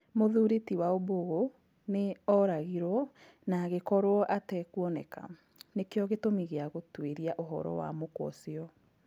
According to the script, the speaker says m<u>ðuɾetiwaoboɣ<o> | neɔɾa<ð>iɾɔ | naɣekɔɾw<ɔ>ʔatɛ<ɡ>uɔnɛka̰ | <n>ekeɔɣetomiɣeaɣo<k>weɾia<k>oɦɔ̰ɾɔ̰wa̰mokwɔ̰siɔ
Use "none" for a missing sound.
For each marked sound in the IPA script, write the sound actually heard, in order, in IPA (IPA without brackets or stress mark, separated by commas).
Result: o, o, ɣ, ɔ, k, n, t, ʔ